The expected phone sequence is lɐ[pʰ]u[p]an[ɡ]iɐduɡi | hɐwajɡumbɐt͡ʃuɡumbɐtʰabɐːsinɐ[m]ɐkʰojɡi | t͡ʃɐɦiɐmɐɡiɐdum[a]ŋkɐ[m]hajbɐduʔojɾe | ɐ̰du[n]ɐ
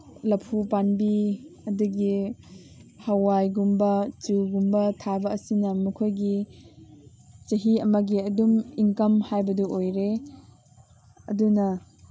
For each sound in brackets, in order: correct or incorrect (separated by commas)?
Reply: correct, correct, incorrect, correct, incorrect, correct, correct